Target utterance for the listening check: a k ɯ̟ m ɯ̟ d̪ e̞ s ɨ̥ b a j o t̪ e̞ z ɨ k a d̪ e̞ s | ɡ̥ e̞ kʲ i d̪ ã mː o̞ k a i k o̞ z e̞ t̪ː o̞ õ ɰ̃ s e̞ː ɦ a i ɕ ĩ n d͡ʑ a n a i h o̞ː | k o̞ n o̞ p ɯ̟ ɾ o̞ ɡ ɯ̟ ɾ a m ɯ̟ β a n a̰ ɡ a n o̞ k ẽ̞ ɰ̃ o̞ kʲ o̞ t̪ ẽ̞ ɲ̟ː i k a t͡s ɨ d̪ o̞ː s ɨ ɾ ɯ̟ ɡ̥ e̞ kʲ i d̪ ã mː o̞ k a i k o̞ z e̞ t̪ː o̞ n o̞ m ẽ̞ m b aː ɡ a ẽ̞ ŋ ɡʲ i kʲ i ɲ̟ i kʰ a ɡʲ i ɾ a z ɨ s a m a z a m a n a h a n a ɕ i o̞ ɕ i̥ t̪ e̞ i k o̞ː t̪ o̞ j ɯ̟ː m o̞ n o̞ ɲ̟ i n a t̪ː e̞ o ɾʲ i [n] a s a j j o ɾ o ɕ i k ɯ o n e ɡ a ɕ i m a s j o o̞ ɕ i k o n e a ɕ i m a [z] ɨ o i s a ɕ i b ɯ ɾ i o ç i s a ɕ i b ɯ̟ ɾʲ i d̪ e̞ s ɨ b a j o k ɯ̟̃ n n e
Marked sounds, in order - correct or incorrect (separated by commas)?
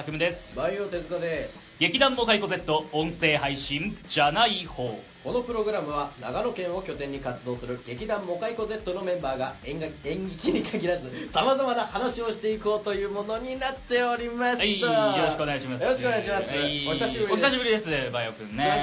incorrect, incorrect